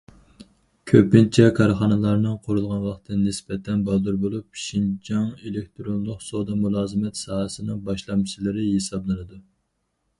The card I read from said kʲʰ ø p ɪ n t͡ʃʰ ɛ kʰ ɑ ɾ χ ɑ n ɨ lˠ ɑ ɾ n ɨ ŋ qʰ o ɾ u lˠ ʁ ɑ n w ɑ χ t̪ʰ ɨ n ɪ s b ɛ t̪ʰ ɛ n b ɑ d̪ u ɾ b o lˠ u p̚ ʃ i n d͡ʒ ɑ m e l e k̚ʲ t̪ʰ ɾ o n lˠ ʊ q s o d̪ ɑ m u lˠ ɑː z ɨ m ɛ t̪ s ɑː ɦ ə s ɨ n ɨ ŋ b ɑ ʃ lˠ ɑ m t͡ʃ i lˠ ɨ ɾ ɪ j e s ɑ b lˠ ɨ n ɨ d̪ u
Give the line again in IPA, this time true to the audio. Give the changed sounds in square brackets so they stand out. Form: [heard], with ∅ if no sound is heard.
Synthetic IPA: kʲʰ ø p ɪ n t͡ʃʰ ɛ kʰ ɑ ɾ χ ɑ n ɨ lˠ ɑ ɾ n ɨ ŋ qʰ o ɾ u lˠ ʁ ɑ n w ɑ χ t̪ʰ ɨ n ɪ s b ɛ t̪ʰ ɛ n b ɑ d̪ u ɾ b o lˠ u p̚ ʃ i n d͡ʒ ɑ [ŋ] e l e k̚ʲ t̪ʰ ɾ o n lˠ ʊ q s o d̪ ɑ m u lˠ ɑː z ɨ m ɛ t̪ s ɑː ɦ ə s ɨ n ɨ ŋ b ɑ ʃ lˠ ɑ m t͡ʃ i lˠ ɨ ɾ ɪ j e s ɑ b lˠ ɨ n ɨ d̪ u